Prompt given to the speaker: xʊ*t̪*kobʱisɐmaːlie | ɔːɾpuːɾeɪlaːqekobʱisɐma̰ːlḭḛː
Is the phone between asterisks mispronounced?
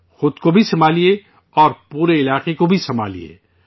yes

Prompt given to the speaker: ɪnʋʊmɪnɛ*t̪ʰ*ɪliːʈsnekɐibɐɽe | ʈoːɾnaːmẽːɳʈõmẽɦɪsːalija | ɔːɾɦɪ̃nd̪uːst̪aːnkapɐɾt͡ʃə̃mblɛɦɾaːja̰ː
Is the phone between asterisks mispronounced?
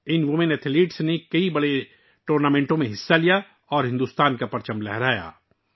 no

